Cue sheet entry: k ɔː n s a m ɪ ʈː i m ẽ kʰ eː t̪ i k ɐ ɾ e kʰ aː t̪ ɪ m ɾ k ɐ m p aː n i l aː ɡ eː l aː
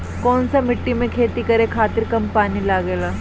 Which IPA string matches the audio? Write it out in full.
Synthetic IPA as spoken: k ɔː n s a m ɪ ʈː i m ẽ kʰ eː t̪ i k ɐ ɾ e kʰ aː t̪ ɪ ɾ k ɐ m p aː n i l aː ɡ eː l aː